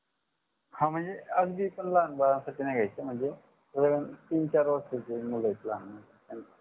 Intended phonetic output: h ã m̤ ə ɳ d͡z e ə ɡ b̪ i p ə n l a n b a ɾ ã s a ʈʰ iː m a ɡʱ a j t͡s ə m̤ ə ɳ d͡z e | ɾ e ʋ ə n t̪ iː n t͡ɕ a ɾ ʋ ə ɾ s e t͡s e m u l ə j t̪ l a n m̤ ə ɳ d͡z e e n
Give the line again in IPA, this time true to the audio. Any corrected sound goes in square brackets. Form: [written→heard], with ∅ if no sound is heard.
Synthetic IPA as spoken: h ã m̤ ə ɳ d͡z e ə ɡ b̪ i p ə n l a n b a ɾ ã s a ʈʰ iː [m→n] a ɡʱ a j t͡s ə m̤ ə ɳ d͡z e | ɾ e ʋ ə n t̪ iː n t͡ɕ a ɾ ʋ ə ɾ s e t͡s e m u l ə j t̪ l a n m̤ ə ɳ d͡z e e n